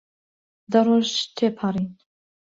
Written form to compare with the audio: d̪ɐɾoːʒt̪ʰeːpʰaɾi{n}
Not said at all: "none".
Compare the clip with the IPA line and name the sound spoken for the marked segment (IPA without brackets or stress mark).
n